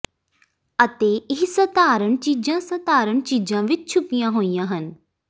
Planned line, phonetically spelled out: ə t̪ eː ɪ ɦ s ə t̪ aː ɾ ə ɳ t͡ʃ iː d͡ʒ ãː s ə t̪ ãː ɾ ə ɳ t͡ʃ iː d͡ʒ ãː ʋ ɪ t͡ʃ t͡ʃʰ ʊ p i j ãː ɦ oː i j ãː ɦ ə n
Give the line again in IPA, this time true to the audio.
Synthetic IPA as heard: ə t̪ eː ɪ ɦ s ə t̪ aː ɾ ə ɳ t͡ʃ iː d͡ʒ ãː s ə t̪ aː ɾ ə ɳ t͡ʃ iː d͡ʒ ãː ʋ ɪ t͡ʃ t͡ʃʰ ʊ p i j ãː ɦ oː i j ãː ɦ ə n